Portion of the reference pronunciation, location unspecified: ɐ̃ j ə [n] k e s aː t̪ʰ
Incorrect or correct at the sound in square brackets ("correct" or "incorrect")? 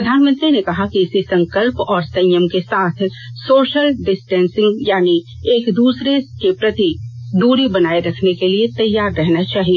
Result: incorrect